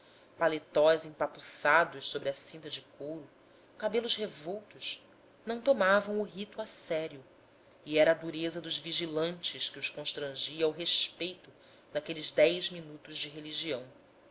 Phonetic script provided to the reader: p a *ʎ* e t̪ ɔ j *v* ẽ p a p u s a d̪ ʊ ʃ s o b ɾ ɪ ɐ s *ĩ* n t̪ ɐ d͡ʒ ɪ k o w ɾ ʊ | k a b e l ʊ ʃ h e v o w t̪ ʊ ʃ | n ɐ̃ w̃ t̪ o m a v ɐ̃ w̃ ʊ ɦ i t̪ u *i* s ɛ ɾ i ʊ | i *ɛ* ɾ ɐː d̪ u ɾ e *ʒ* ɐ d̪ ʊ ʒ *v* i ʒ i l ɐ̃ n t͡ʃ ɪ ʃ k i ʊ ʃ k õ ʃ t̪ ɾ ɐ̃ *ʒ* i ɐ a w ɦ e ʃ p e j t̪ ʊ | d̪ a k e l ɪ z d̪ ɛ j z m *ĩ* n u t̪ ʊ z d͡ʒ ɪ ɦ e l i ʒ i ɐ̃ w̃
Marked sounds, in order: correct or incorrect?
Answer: incorrect, incorrect, correct, incorrect, correct, incorrect, correct, correct, incorrect

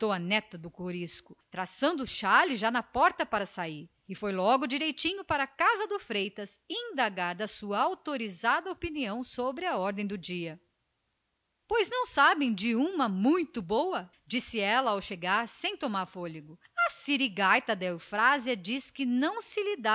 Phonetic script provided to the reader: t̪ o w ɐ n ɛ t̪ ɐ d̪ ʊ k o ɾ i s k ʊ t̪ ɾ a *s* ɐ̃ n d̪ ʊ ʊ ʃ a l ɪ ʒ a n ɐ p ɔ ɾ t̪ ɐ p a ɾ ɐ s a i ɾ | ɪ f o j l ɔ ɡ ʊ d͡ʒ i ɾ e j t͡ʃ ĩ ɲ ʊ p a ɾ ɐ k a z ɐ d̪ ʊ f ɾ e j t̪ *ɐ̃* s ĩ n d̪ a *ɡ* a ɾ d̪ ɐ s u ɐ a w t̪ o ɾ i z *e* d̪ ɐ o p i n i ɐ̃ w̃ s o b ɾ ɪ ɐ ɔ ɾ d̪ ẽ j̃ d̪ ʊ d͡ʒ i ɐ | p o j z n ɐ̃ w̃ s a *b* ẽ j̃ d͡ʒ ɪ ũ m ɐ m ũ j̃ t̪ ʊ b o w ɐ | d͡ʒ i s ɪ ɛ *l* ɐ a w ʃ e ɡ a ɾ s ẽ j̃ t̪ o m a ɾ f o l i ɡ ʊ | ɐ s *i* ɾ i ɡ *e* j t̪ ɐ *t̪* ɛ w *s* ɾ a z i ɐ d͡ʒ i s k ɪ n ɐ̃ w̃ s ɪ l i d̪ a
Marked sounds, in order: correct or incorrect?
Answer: correct, incorrect, correct, incorrect, correct, correct, correct, incorrect, incorrect, incorrect

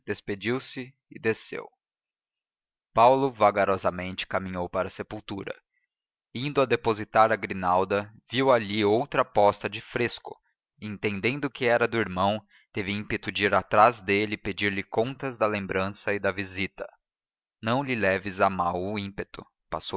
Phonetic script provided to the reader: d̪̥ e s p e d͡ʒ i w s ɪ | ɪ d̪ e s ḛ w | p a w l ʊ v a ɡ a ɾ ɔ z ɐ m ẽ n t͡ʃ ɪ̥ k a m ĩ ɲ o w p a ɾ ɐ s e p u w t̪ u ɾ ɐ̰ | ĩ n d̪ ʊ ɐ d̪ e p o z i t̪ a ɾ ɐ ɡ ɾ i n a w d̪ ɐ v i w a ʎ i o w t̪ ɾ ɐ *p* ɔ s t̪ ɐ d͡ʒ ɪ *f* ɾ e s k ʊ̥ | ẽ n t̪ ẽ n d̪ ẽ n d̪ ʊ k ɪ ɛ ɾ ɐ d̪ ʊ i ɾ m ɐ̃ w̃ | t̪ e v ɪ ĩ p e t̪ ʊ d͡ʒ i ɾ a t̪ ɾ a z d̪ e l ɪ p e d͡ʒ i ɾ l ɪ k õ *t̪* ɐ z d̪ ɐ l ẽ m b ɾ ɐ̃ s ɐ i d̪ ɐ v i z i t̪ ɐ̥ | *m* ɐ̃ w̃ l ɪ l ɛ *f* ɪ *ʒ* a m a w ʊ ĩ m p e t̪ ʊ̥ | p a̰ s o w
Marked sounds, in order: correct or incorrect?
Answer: correct, correct, correct, incorrect, incorrect, incorrect

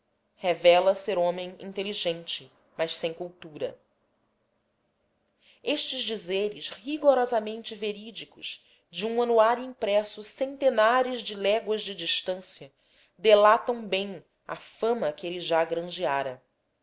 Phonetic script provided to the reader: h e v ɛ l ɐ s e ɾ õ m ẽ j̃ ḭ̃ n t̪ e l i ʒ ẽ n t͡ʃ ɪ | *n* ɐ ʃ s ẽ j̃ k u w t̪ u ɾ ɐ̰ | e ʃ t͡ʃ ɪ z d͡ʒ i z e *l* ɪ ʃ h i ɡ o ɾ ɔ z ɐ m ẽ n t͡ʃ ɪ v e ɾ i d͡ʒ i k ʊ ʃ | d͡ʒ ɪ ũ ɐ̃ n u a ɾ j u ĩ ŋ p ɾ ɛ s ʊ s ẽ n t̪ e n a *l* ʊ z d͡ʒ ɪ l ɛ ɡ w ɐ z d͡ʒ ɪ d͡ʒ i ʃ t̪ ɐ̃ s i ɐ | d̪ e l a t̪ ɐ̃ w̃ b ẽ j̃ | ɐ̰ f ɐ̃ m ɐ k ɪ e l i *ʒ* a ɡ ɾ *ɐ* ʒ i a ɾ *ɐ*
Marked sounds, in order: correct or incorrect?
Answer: incorrect, incorrect, incorrect, correct, incorrect, correct

